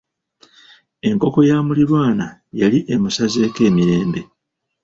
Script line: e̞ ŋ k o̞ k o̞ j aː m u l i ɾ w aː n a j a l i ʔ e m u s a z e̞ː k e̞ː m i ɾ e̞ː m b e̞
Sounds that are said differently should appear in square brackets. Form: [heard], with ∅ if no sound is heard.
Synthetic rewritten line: e̞ ŋ k o̞ k o̞ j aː m u l i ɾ w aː n a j a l i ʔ e m u s a z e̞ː k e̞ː m i ɾ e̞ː m b e̞